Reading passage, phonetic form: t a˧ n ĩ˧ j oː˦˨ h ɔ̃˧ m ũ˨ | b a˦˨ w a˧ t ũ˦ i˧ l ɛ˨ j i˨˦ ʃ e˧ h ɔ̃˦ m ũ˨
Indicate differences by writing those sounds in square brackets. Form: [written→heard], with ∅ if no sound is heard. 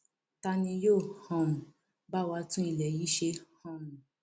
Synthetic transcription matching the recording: t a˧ n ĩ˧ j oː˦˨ h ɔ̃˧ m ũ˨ | b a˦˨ w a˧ t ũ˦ i˧ l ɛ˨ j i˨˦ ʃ e˧ h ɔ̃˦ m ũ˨

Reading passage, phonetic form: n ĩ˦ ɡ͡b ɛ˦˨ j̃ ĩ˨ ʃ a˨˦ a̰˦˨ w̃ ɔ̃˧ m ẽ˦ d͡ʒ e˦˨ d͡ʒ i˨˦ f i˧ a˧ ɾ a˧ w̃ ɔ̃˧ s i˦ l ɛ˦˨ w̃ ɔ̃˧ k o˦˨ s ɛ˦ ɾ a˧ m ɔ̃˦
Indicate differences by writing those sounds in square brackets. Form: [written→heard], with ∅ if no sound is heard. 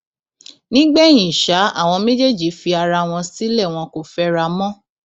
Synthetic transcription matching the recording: n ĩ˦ ɡ͡b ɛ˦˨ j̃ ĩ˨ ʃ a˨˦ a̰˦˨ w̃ ɔ̃˧ m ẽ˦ d͡ʒ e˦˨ d͡ʒ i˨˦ f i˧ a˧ ɾ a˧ w̃ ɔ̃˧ s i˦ l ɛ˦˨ w̃ ɔ̃˧ k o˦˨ [s→f] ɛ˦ ɾ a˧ m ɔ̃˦

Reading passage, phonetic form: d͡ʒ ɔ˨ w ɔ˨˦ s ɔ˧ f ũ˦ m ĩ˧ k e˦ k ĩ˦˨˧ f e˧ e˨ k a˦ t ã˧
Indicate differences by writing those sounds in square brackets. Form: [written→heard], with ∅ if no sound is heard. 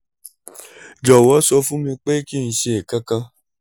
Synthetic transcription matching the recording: d͡ʒ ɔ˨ w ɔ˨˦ s ɔ˧ f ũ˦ m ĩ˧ [k→k͡p] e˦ k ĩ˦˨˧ [f→ʃ] e˧ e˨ k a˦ [t→k] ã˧

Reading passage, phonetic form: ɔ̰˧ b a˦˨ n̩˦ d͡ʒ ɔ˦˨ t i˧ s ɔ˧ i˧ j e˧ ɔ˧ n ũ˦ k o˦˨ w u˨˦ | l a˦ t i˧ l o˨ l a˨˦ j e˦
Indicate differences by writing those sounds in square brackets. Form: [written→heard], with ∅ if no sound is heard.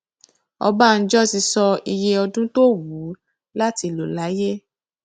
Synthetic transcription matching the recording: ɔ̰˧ b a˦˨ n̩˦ d͡ʒ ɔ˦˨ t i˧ s ɔ˧ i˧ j e˧ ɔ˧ [n→d] ũ˦ [k→t] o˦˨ w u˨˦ | l a˦ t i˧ l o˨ l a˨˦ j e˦

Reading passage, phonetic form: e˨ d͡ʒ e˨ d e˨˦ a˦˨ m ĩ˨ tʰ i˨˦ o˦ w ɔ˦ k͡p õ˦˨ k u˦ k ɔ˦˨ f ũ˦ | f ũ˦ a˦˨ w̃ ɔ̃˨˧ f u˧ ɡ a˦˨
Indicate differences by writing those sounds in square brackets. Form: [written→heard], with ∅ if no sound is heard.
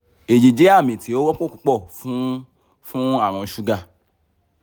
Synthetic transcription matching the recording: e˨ d͡ʒ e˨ [d→d͡ʒ] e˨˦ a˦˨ m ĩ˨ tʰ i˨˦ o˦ w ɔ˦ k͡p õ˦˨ k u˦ [k→k͡p] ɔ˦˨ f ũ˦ | f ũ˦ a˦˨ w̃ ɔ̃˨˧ [f→ʃ] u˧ ɡ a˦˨

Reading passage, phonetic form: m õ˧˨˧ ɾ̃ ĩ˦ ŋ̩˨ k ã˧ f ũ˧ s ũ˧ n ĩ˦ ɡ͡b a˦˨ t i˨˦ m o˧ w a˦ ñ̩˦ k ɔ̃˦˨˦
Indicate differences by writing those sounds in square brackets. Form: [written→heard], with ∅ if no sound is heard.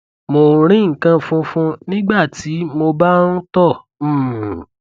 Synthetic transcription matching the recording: m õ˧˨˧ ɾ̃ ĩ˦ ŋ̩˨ k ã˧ f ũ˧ [s→f] ũ˧ n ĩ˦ ɡ͡b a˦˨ t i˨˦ m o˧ [w→b] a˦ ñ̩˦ [k→t] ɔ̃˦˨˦

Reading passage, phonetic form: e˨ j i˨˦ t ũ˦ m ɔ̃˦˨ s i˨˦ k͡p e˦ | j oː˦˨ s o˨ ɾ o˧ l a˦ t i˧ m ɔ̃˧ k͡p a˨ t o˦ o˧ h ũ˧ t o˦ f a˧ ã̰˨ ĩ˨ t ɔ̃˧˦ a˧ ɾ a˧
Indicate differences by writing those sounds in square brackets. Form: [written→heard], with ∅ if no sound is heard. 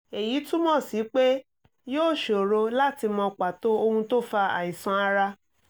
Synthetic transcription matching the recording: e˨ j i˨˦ t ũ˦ m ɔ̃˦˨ s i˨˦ k͡p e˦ | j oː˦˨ [s→ʃ] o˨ ɾ o˧ l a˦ t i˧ m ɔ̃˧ k͡p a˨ t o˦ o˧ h ũ˧ t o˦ f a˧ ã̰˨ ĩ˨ [t→s] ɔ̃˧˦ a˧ ɾ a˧

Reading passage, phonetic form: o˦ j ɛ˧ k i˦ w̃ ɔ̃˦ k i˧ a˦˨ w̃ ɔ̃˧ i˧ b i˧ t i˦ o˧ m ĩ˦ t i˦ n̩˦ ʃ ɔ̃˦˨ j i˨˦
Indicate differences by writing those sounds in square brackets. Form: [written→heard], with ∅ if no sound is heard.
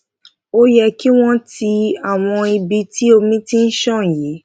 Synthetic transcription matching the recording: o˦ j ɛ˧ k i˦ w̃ ɔ̃˦ [k→t] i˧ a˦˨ w̃ ɔ̃˧ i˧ b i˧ t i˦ o˧ m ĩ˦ t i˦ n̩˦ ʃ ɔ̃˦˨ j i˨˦

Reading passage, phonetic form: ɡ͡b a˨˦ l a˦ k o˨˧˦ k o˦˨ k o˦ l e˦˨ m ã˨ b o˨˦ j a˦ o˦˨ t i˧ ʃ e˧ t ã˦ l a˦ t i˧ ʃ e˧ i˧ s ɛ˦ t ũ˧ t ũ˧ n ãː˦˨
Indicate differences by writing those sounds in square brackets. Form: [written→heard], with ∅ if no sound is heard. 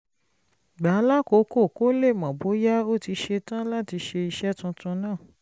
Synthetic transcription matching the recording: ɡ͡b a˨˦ l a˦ k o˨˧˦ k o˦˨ k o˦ l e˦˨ m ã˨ b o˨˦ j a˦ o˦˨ t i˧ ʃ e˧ t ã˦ l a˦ t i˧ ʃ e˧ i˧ [s→ʃ] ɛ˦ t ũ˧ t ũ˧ n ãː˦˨

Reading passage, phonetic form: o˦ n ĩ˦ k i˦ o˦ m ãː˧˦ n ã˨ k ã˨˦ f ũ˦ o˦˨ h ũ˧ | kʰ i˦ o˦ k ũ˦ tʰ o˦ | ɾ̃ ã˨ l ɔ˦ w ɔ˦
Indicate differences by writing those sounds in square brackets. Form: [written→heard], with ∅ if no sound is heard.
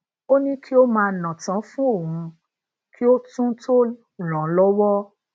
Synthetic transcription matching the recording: o˦ n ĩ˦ k i˦ o˦ m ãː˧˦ n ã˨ [k→t] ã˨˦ f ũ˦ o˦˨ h ũ˧ | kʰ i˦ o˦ [k→t] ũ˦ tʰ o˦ | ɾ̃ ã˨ l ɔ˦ w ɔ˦

